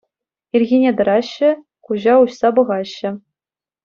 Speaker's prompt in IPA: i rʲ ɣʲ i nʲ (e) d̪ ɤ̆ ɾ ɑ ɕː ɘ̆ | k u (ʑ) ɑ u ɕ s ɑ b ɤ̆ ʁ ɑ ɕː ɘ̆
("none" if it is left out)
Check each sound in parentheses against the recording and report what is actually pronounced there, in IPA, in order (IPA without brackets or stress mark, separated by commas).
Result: e, ʑ